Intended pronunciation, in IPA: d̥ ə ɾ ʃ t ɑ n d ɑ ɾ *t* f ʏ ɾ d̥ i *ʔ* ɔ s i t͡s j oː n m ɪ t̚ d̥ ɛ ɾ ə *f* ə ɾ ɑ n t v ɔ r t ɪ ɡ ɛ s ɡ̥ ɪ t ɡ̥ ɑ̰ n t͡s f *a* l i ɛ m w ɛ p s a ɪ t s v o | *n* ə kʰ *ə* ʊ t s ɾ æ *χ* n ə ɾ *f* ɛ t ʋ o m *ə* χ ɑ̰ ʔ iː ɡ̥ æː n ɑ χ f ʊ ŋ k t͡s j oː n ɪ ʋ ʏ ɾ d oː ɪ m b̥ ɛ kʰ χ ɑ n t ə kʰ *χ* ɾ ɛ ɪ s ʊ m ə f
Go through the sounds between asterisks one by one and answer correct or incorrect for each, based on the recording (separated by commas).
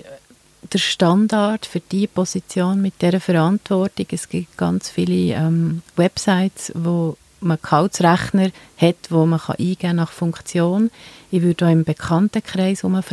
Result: correct, incorrect, correct, incorrect, incorrect, incorrect, correct, incorrect, correct, correct